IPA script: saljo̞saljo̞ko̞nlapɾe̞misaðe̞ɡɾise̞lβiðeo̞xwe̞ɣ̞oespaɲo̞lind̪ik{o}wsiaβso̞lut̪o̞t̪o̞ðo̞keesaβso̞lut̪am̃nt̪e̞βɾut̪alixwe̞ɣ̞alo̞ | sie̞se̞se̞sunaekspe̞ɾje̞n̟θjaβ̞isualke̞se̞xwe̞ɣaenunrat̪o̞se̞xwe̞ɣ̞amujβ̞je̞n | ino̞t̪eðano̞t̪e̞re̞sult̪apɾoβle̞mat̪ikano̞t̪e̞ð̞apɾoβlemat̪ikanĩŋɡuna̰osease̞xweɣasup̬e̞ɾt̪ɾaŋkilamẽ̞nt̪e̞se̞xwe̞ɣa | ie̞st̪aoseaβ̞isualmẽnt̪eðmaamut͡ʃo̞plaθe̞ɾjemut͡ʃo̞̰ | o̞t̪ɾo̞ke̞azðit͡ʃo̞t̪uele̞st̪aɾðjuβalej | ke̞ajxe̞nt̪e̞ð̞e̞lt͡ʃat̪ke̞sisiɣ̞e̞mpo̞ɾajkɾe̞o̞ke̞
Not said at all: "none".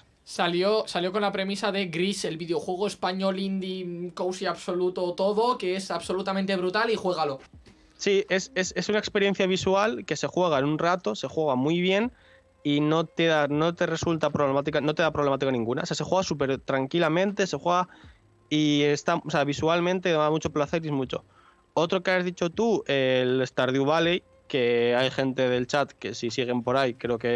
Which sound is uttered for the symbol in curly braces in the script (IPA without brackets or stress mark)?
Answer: o